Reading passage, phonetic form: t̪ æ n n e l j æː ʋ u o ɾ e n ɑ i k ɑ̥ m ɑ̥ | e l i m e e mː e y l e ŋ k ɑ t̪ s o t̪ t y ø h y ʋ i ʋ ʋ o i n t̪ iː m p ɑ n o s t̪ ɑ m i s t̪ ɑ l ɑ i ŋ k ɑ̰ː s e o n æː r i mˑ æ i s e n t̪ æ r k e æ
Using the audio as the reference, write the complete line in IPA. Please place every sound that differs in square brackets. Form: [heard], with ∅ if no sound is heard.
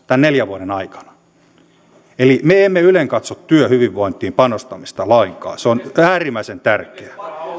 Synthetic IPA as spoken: t̪ æ n n e l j [æ] ʋ u o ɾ e n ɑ i k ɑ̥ [n] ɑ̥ | e l i m e e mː e y l e ŋ k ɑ t̪ s o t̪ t y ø h y ʋ i ʋ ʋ o i n t̪ iː m p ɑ n o s t̪ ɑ m i s t̪ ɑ l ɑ i ŋ k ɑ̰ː s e o n æː r i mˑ æ i s e n t̪ æ r k e æ